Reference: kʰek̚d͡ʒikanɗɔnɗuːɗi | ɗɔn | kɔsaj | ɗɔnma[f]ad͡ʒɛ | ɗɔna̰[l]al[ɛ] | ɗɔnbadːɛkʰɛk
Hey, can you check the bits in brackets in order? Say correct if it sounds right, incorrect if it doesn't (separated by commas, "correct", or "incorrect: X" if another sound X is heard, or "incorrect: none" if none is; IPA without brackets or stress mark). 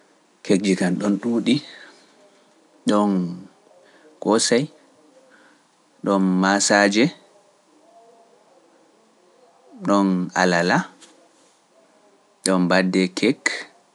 incorrect: s, correct, incorrect: a